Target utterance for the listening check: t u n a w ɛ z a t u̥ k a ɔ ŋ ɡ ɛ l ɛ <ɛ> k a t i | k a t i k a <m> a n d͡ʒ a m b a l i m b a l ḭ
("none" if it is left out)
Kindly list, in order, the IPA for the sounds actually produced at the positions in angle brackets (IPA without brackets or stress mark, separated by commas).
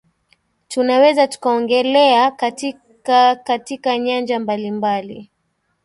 a, ɲ